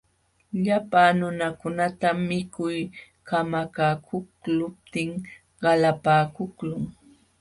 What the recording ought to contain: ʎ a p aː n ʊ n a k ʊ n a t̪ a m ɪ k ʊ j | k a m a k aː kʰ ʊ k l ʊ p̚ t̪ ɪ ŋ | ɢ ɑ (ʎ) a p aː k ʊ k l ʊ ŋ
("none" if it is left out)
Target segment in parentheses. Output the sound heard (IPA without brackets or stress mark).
l